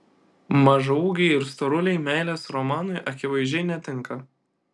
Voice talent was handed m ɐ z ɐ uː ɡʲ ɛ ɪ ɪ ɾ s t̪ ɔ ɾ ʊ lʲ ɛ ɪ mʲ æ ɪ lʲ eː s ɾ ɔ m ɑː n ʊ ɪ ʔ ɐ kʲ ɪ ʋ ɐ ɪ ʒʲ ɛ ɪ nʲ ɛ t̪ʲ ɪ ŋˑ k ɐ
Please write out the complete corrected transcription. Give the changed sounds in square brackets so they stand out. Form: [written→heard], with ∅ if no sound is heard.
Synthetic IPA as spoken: m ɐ [z→ʒ] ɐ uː ɡʲ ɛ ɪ ɪ ɾ s t̪ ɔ ɾ ʊ lʲ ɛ ɪ mʲ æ ɪ lʲ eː s ɾ ɔ m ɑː n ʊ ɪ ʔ ɐ kʲ ɪ ʋ ɐ ɪ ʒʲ ɛ ɪ nʲ ɛ t̪ʲ ɪ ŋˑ k ɐ